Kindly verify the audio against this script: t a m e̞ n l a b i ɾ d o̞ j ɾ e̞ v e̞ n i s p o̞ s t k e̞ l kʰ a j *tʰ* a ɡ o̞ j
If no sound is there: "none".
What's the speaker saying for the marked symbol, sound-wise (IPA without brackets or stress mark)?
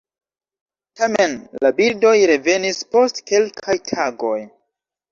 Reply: tʰ